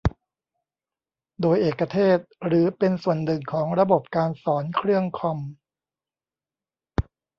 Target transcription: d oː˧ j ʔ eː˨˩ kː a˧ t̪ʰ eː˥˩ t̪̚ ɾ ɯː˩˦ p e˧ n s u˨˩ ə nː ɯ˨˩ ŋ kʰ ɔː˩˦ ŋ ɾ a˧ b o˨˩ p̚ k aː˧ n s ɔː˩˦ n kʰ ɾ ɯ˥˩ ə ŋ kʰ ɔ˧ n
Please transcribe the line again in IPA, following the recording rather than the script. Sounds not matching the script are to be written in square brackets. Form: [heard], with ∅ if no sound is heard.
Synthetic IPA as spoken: d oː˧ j ʔ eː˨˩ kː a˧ t̪ʰ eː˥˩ t̪̚ ɾ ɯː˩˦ p e˧ n s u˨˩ ə nː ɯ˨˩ ŋ kʰ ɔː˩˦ ŋ ɾ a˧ b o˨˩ p̚ k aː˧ n s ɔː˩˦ n kʰ ɾ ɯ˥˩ ə ŋ kʰ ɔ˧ [m]